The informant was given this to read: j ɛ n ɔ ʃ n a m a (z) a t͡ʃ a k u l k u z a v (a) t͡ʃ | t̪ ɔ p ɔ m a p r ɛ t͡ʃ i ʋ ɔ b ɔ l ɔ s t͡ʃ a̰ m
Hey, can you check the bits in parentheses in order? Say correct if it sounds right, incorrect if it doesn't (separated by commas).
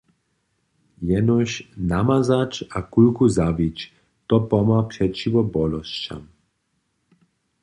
correct, incorrect